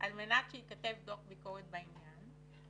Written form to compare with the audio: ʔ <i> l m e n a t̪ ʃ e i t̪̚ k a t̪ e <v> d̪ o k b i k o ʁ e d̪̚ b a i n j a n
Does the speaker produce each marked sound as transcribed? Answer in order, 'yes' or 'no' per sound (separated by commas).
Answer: no, yes